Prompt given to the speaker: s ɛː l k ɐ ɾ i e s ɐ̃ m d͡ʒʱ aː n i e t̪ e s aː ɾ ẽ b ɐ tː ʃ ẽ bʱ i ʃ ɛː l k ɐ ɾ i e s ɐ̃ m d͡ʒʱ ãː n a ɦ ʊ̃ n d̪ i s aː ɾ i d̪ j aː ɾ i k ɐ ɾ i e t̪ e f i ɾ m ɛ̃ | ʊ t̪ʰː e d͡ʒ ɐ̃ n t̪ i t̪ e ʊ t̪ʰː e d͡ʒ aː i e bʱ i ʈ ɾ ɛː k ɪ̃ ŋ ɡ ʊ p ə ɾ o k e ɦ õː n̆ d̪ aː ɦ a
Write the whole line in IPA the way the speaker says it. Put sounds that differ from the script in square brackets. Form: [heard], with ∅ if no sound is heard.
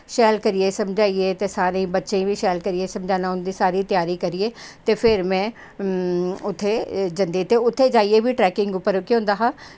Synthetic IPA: [ʃ] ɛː l k ɐ ɾ i e s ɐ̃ m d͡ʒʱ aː [∅] i e t̪ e s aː ɾ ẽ b ɐ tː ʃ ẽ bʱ i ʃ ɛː l k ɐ ɾ i e s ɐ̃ m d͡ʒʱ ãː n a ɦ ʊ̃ n d̪ i s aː ɾ i [t̪] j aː ɾ i k ɐ ɾ i e t̪ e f [ɪ] ɾ m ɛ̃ | ʊ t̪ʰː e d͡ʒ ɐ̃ n [d̪] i t̪ e ʊ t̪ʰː e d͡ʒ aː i e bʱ i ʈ ɾ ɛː k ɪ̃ ŋ ɡ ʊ p ə ɾ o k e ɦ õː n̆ d̪ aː ɦ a